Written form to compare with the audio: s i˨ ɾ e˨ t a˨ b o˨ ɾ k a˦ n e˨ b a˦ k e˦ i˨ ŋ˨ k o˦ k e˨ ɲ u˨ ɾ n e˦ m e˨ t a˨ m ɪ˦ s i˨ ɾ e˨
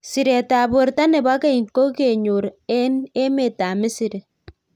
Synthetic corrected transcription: s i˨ ɾ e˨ t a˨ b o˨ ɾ t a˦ n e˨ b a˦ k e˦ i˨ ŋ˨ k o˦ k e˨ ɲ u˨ ɾ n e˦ m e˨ t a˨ m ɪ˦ s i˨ ɾ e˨